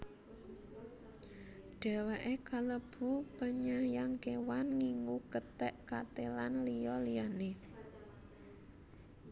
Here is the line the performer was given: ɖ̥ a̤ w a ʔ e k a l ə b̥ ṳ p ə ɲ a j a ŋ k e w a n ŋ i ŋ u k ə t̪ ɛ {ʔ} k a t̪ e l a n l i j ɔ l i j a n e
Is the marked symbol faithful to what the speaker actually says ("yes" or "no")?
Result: yes